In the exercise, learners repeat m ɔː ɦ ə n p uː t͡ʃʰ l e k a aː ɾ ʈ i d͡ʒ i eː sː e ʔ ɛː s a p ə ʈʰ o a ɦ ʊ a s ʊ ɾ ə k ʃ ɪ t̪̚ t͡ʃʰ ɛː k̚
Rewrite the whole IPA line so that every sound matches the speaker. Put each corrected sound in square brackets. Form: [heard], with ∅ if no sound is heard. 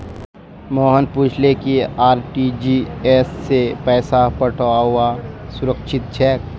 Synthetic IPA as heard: m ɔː ɦ ə n p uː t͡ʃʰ l e k [i] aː ɾ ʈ i d͡ʒ i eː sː e [p] ɛː s a p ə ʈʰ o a ɦ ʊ a s ʊ ɾ ə k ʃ ɪ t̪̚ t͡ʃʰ ɛː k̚